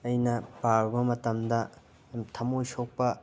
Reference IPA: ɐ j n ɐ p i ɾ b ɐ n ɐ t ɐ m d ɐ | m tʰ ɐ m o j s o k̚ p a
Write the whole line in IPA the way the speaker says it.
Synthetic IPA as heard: ɐ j n ɐ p a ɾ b ɐ m ɐ t ɐ m d ɐ | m tʰ ɐ m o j s o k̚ p ɐ